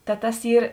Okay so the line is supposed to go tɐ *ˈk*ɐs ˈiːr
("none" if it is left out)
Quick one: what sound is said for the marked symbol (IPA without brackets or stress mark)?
t